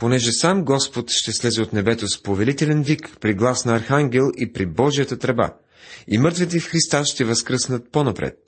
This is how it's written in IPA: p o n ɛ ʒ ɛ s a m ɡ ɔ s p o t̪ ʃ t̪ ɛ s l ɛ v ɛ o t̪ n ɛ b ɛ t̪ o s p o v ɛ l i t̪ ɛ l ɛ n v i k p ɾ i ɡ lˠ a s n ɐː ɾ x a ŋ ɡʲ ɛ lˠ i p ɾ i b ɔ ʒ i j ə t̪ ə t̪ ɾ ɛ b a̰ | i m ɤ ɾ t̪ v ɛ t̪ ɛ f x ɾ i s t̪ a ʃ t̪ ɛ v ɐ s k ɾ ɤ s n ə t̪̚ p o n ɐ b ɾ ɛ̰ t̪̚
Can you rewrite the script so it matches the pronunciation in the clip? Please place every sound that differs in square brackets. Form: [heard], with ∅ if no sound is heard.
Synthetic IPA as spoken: p o n ɛ ʒ ɛ s a m ɡ ɔ s p o t̪ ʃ t̪ ɛ s l ɛ [z] ɛ o t̪ n ɛ b ɛ t̪ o s p o v ɛ l i t̪ ɛ l ɛ n v i k p ɾ i ɡ lˠ a s n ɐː ɾ x a ŋ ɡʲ ɛ lˠ i p ɾ i b ɔ ʒ i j ə t̪ ə t̪ ɾ ɛ b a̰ | i m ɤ ɾ t̪ v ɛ t̪ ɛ f x ɾ i s t̪ a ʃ t̪ ɛ v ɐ s k ɾ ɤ s n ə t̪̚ p o n ɐ [p] ɾ ɛ̰ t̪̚